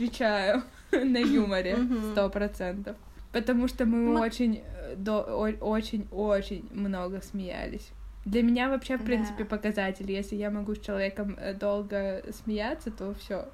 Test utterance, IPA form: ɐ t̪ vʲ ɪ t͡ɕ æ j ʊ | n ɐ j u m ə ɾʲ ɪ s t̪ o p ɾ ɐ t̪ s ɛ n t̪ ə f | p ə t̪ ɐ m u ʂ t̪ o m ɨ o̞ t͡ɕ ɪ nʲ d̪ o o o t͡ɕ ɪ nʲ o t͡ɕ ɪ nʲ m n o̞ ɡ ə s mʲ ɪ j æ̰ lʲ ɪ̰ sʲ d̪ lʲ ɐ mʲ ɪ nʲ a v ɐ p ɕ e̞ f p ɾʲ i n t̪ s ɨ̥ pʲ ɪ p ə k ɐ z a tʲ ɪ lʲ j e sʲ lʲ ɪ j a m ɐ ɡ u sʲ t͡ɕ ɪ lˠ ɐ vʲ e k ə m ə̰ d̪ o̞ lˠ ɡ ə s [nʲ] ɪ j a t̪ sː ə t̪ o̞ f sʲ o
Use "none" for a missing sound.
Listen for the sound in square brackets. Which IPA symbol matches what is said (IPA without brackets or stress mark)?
mʲ